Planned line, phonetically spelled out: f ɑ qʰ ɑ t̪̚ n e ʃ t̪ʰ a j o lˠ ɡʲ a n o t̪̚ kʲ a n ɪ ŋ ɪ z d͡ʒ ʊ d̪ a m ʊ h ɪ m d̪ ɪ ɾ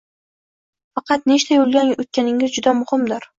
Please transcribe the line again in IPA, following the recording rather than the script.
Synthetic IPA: f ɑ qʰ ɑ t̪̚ n e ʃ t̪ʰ a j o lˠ ɡʲ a n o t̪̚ kʲ a n ɪ ŋ ɪ z d͡ʒ ʊ d̪ a m ʊ h ɪ m d̪ ɪ ɾ